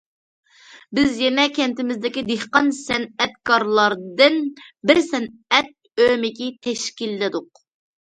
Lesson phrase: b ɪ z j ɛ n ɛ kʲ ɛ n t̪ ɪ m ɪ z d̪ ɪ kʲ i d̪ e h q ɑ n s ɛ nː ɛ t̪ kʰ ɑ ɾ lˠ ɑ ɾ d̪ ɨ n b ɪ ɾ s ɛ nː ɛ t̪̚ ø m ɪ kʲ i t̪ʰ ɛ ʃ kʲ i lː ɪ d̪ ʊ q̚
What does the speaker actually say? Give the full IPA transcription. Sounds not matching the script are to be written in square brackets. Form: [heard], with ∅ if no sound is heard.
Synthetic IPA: b ɪ z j ɛ n ɛ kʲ ɛ n t̪ ɪ m ɪ z d̪ ɪ kʲ i d̪ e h q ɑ n s ɛ [n] ɛ t̪ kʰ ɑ ɾ lˠ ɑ ɾ d̪ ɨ n b ɪ ɾ s ɛ [n] ɛ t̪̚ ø m ɪ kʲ i t̪ʰ ɛ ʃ kʲ i lː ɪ d̪ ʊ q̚